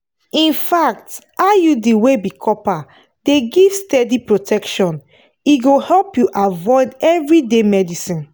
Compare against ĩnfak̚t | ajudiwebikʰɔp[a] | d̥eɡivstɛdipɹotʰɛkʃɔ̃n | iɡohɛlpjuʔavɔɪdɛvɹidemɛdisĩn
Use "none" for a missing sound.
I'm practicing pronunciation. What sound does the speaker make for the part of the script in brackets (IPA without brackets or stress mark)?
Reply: a